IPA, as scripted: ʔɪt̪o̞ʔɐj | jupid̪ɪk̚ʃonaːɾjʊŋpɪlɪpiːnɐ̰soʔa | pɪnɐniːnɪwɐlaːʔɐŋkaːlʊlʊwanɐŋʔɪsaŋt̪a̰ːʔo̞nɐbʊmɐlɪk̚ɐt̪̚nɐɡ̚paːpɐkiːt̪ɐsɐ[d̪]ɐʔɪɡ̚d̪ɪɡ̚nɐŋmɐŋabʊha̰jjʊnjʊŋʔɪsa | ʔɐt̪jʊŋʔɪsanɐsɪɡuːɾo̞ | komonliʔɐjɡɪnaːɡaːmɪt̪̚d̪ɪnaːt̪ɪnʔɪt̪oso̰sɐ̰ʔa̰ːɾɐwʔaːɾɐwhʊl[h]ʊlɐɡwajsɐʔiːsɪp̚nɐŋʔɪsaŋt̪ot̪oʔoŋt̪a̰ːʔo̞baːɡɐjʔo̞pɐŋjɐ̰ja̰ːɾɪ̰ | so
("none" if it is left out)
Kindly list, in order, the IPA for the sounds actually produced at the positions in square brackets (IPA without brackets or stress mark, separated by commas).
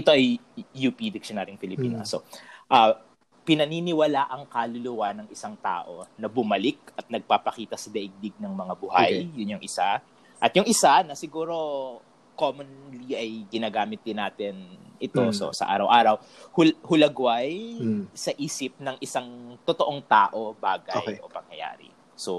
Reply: d̪, h